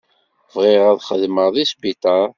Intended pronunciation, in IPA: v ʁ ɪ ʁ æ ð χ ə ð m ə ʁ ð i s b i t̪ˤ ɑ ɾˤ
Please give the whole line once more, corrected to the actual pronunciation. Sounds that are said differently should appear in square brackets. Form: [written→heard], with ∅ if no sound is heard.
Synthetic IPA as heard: v ʁ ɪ ʁ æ ð χ ə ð m ə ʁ ð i s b i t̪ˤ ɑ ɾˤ